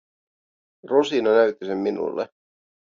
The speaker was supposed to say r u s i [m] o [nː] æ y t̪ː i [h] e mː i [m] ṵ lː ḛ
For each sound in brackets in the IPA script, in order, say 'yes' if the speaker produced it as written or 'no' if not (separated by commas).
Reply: no, no, no, no